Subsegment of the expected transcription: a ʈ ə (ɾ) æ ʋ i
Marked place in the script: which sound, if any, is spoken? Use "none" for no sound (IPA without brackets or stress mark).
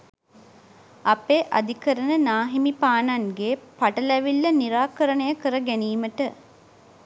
l